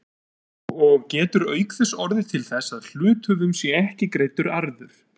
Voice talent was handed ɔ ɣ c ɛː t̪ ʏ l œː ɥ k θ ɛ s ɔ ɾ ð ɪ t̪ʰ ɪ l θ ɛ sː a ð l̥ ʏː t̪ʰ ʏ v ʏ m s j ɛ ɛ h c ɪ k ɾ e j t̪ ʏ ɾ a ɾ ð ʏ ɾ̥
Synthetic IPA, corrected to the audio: ɔ ɣ c ɛː t̪ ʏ ɾ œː ɥ k θ ɛ s ɔ ɾ ð ɪ t̪ʰ ɪ l θ ɛ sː a ð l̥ ʏː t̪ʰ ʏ v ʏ m s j ɛ ɛ h c ɪ k ɾ e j t̪ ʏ ɾ a ɾ ð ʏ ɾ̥